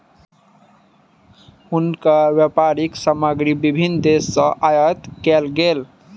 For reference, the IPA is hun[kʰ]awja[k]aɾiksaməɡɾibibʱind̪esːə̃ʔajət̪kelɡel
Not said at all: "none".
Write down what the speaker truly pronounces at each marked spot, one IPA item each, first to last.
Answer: k, p

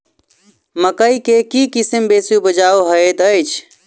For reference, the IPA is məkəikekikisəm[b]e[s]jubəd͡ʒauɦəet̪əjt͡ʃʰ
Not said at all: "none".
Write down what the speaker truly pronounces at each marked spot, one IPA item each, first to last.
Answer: b, s

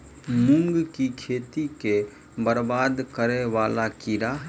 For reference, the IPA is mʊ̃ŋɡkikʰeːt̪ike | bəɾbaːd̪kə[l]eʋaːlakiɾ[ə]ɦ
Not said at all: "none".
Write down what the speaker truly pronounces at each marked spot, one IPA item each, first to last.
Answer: ɾ, a

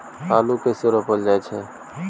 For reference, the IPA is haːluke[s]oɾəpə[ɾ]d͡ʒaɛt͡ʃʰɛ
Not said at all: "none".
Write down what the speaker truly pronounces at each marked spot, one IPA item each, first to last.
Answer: s, l

